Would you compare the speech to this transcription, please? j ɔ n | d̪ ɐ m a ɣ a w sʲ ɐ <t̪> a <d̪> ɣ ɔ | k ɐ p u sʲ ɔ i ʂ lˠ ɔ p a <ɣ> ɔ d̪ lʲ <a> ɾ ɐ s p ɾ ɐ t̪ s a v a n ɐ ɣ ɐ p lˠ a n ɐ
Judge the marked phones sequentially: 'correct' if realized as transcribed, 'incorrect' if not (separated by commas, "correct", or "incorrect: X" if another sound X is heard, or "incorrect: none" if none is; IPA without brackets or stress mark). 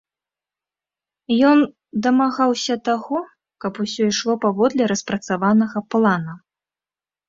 correct, incorrect: none, incorrect: v, incorrect: ɛ